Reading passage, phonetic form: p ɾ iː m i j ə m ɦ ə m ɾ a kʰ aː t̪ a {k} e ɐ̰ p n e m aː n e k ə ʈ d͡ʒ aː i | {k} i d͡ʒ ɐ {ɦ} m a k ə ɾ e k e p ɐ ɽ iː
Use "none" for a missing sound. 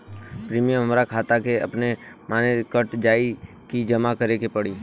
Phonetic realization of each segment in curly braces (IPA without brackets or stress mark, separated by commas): k, k, none